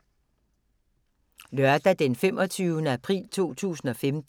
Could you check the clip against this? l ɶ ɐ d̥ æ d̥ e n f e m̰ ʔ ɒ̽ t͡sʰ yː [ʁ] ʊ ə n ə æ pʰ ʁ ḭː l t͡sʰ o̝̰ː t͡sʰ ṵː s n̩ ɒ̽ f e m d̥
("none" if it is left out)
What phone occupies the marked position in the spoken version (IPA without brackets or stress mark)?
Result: none